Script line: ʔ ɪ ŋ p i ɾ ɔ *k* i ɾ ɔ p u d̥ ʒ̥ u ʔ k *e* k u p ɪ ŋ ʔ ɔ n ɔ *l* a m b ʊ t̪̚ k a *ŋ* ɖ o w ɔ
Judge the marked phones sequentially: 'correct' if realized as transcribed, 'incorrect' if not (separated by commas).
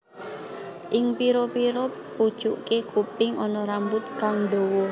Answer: incorrect, correct, incorrect, correct